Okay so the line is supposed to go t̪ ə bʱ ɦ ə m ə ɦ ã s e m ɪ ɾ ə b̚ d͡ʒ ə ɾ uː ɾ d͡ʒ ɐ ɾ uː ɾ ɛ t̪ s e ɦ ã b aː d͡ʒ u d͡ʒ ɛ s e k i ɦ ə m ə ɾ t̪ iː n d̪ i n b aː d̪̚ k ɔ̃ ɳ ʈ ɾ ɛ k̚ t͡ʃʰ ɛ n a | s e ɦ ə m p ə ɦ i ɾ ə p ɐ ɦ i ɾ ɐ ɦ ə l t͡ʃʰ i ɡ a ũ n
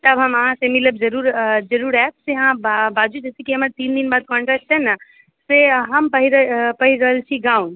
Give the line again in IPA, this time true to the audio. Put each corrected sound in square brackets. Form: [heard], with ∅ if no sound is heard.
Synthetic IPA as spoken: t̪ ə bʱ ɦ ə m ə ɦ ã s e m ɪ [l] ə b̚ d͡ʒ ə ɾ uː ɾ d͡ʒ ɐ ɾ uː ɾ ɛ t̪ s e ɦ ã b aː d͡ʒ u d͡ʒ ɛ s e k i ɦ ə m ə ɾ t̪ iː n d̪ i n b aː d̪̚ k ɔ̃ ɳ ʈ ɾ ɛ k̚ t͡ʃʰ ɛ n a | s e ɦ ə m p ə ɦ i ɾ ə p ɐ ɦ i ɾ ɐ ɦ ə l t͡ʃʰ i ɡ a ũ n